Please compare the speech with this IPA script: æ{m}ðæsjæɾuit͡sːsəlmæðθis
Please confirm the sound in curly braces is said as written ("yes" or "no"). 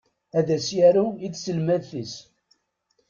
no